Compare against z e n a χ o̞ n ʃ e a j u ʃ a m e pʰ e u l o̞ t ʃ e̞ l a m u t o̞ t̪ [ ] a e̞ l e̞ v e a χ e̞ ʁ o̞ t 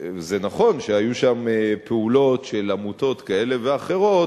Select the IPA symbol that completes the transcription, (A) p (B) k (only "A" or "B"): B